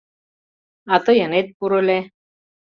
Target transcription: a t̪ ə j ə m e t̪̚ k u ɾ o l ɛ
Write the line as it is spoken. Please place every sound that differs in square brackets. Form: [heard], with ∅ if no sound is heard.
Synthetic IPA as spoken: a t̪ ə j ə [n] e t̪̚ [p] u ɾ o l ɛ